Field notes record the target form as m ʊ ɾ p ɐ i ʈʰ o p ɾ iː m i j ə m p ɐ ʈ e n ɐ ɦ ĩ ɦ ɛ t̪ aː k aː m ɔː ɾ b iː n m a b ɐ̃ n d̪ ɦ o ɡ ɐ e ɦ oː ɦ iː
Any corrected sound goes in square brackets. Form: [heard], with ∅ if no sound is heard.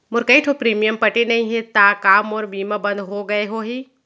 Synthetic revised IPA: m ʊ ɾ [k] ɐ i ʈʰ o p ɾ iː m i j ə m p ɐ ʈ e n ɐ ɦ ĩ ɦ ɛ t̪ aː k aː m ɔː ɾ b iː [∅] m a b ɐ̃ n d̪ ɦ o ɡ ɐ e ɦ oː ɦ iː